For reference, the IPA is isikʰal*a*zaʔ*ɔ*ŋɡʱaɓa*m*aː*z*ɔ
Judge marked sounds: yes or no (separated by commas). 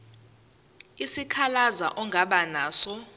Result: yes, yes, no, no